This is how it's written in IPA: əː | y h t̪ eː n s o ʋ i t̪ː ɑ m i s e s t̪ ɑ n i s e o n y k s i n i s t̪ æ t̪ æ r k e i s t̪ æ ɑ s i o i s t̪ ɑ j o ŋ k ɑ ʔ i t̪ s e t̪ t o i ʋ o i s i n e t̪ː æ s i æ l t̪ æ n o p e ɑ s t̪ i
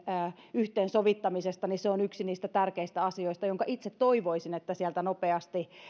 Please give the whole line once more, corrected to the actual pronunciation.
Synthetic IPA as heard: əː | y h t̪ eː n s o ʋ i t̪ː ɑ m i s e s t̪ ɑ n i s e o n y k s i n iː s t̪ æ t̪ æ r k e i s t̪ æ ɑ s i o i s t̪ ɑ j o ŋ k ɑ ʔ i t̪ s e t̪ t o i ʋ o i s i n e t̪ː æ s i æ l t̪ æ n o p e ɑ s t̪ i

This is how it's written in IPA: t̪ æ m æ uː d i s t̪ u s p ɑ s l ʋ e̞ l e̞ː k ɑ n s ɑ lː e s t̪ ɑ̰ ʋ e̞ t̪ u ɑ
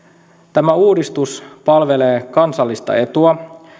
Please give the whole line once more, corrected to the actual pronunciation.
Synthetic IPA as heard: t̪ æ m æ uː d i s t̪ u s p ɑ l ʋ e̞ l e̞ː k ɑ n s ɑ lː i s t̪ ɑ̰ e̞ t̪ u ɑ

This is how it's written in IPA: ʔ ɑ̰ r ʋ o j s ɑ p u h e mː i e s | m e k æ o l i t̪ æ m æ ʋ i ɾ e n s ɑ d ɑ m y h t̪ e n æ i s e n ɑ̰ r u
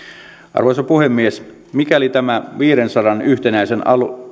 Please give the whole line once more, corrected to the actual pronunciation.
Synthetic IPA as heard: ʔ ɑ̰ r ʋ o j s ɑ p u h e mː i e s | m i k æ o l i t̪ æ m æ ʋ iː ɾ e n s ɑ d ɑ n y h t̪ e n æ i s e n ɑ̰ l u

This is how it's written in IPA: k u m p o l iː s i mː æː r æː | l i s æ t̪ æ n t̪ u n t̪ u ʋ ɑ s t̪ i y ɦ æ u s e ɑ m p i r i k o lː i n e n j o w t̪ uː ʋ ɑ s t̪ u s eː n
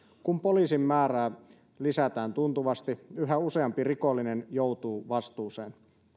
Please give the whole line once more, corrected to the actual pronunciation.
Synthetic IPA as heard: k u m p o l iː s i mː æː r æː | l i s æ t̪ æː n t̪ u n t̪ u ʋ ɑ s t̪ i y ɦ æ u s e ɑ m p i r i k o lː i n e n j o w t̪ uː ʋ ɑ s t̪ uː s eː n

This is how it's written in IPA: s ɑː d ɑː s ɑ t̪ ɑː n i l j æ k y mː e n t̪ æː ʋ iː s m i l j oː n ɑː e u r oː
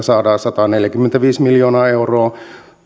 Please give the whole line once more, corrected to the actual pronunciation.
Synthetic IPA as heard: s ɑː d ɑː s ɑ t̪ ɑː n e l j æ k y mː e n t̪ æ ʋ iː s m i l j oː n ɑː e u r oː

